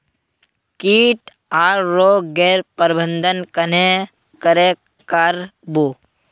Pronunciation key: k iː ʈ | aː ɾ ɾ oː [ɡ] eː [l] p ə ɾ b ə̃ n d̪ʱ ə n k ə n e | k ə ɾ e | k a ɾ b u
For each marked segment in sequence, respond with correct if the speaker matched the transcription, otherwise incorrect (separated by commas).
correct, incorrect